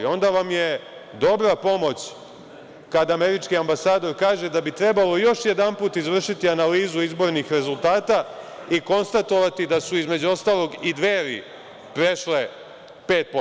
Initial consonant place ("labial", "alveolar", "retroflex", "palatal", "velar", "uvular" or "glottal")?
alveolar